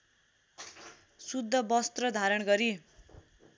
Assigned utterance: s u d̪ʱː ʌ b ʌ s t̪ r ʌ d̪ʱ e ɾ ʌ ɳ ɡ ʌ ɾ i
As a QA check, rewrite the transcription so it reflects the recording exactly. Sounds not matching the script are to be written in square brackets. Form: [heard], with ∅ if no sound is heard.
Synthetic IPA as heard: s u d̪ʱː ʌ b ʌ s t̪ r ʌ d̪ʱ [a] ɾ ʌ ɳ ɡ ʌ ɾ i